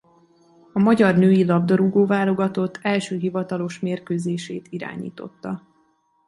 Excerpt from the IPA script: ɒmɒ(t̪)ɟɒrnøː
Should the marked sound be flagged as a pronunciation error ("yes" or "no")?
yes